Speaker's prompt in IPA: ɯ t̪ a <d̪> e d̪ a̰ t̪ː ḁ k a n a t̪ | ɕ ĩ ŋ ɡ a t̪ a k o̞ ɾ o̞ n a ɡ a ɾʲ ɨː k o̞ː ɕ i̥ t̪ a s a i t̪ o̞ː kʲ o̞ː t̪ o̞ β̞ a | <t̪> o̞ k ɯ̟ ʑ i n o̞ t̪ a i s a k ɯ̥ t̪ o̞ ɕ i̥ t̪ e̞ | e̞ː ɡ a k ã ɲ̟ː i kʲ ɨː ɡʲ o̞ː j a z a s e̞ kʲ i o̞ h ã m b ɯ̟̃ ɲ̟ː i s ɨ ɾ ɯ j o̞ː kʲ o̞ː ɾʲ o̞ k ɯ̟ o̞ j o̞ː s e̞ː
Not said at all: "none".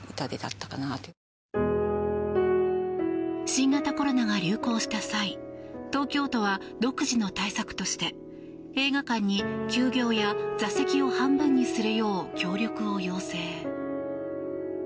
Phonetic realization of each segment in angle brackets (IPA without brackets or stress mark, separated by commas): d̪, d̪